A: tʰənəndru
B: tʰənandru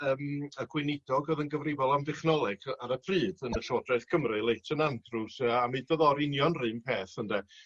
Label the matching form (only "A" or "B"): B